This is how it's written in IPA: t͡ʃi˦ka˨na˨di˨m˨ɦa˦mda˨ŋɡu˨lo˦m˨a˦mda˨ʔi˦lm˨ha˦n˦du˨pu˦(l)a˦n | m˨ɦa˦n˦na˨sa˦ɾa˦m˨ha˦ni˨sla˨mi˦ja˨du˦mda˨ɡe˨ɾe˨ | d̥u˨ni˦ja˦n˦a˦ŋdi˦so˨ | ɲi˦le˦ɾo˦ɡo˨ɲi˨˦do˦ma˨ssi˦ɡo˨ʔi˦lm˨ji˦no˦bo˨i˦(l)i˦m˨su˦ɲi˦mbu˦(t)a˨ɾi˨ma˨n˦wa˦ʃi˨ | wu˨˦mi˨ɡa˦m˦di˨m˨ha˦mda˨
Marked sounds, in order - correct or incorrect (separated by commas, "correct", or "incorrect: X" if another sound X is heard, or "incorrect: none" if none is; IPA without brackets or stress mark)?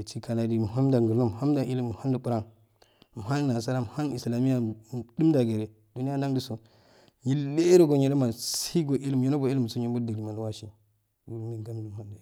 incorrect: ɾ, correct, incorrect: d